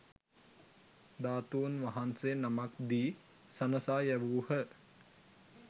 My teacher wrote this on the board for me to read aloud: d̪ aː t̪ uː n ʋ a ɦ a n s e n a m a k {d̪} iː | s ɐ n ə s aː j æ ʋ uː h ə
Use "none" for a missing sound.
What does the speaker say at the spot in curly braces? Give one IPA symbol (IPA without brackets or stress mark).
d̪